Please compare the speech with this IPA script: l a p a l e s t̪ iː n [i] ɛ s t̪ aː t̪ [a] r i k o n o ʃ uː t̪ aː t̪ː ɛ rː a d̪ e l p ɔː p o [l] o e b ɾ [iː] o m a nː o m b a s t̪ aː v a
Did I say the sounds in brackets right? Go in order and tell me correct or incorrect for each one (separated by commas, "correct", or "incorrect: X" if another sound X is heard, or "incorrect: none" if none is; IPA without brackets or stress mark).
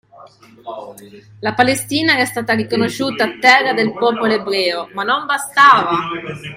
incorrect: a, correct, correct, incorrect: ɛː